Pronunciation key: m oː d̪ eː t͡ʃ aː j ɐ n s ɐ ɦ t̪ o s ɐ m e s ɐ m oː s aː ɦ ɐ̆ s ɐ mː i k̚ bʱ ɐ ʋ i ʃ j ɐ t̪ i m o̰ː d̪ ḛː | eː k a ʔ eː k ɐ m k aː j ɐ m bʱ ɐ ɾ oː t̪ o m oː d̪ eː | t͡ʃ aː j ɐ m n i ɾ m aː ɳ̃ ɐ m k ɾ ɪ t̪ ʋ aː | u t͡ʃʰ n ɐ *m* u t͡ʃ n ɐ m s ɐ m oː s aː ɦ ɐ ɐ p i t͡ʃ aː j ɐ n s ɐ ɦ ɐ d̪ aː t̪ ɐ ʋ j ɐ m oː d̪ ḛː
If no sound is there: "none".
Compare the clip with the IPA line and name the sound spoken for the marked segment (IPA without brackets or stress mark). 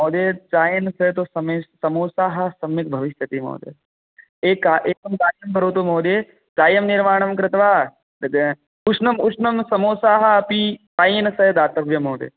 m